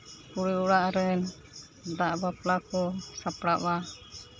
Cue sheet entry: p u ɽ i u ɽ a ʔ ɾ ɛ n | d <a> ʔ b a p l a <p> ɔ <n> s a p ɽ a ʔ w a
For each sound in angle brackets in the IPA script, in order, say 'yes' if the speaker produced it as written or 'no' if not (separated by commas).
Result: yes, no, no